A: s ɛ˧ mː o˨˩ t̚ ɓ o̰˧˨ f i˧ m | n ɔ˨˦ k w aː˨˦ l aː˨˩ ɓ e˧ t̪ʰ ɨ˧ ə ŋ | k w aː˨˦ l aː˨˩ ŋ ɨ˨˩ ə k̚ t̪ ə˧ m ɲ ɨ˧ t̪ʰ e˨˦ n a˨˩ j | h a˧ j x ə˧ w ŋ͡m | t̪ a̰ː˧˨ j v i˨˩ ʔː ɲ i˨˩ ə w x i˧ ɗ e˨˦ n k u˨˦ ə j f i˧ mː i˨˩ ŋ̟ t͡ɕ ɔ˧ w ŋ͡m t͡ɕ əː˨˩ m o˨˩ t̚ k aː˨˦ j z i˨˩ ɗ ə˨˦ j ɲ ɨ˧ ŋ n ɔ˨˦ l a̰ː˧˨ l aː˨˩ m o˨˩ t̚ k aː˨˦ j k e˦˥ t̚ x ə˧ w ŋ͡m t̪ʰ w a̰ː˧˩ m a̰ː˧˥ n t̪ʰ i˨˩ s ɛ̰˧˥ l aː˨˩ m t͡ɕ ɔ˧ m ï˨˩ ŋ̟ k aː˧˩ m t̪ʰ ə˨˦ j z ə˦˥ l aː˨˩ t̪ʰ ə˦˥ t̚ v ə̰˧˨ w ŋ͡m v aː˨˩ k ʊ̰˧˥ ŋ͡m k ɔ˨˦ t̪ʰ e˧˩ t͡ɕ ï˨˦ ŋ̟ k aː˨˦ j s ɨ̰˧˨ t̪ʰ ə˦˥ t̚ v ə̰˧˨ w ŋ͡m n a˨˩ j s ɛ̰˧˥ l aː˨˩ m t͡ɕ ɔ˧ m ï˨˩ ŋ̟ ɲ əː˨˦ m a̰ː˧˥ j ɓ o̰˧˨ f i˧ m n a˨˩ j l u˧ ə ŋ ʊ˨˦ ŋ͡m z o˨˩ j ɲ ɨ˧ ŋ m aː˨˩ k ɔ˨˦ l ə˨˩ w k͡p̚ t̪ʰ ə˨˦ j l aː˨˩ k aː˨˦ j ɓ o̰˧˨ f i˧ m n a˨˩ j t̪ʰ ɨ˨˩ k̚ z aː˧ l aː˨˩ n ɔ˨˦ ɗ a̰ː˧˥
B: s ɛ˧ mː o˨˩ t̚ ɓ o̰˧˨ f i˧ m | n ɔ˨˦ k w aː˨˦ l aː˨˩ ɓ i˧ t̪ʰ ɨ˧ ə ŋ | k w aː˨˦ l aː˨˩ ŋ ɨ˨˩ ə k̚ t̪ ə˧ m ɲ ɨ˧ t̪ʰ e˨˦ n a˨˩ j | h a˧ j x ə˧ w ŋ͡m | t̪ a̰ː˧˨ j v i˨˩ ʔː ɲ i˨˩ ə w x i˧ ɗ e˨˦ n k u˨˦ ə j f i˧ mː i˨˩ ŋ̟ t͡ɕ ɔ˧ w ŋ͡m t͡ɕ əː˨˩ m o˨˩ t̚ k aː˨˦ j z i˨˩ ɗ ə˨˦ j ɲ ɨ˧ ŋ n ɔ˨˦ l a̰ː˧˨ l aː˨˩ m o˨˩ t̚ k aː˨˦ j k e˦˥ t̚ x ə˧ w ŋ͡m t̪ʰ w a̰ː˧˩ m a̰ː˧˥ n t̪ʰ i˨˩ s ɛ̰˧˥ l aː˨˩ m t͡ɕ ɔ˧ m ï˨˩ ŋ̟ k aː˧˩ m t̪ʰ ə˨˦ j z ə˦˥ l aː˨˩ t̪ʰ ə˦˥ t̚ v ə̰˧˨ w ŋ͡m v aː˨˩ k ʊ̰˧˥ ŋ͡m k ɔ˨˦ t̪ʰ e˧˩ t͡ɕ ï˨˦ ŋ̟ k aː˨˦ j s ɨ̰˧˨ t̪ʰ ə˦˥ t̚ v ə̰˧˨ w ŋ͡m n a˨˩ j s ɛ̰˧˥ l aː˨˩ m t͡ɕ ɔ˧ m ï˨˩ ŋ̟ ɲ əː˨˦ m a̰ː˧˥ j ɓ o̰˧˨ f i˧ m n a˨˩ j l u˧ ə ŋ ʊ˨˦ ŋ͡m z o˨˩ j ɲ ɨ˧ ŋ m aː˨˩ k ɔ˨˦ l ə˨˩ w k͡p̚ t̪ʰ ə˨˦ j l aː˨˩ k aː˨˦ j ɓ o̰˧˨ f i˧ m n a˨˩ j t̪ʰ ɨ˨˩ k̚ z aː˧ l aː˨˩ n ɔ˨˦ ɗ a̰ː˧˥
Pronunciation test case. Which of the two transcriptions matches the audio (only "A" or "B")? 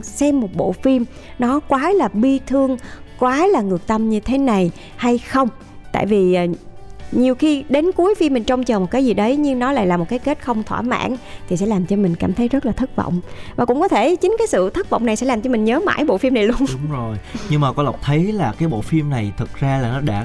B